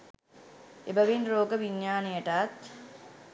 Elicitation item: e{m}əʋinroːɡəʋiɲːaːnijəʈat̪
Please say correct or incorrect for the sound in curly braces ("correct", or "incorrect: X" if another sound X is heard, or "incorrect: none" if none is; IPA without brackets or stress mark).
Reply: incorrect: b